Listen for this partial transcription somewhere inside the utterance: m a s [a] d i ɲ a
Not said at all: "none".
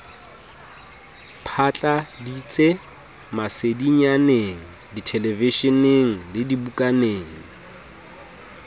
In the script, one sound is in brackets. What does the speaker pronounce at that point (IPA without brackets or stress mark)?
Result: e